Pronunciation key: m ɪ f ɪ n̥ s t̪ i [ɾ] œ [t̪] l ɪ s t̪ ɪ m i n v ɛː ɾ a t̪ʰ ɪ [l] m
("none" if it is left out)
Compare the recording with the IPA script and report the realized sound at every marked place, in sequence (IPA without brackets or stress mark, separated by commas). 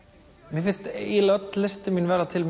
l, t̪, l